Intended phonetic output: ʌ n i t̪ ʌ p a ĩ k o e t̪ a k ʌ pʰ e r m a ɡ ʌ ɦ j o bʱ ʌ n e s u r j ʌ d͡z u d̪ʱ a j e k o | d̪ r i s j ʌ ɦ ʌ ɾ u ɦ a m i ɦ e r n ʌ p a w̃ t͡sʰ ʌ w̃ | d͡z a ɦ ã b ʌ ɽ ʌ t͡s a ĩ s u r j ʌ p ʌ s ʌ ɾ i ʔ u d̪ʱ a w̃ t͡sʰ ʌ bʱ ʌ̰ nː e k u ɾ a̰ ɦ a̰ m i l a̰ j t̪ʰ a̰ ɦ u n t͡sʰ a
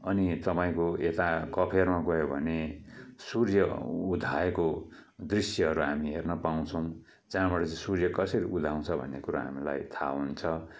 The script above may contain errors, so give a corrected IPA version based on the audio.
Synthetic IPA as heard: ʌ n i t̪ ʌ p a ĩ k o e t̪ a k ʌ pʰ e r m a ɡ ʌ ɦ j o bʱ ʌ n e s u r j ʌ u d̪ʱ a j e k o | d̪ r i s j ʌ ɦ ʌ ɾ u ɦ a m i ɦ e r n ʌ p a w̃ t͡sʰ ʌ w̃ | d͡z a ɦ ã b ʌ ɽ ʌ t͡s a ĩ s u r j ʌ k ʌ s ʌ ɾ i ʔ u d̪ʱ a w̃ t͡sʰ ʌ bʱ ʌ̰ nː e k u ɾ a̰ ɦ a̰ m i l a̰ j t̪ʰ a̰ ɦ u n t͡sʰ ʌ